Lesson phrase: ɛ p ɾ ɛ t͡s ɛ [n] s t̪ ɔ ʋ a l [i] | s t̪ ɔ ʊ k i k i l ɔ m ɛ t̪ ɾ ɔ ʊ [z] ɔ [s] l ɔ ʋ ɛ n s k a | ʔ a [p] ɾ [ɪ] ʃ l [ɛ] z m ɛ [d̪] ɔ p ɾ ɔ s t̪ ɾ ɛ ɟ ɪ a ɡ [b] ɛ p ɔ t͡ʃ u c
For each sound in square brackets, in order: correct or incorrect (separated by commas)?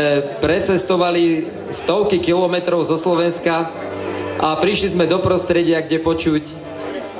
incorrect, correct, correct, correct, correct, incorrect, incorrect, correct, incorrect